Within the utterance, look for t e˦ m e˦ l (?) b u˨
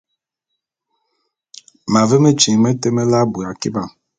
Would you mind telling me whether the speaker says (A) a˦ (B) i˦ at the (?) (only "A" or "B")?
A